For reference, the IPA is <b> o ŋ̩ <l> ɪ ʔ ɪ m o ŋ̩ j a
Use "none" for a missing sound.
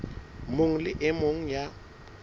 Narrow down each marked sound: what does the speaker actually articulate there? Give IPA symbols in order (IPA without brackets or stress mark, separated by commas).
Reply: m, l